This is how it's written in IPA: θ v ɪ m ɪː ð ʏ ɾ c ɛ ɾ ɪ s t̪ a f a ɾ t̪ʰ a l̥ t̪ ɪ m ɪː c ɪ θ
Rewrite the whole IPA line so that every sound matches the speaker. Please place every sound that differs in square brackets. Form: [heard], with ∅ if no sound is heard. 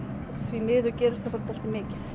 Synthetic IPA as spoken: θ v [i] m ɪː ð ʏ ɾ c [ɛː] ɾ ɪ s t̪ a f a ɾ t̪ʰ a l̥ t̪ ɪ m ɪː c ɪ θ